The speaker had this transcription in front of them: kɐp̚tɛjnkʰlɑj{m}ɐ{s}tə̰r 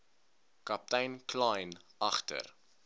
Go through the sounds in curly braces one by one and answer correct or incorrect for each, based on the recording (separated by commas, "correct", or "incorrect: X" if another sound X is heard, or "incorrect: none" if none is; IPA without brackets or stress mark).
incorrect: n, incorrect: χ